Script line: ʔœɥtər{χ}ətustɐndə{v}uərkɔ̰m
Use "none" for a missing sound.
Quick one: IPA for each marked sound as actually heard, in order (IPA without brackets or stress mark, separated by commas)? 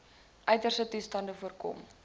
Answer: s, f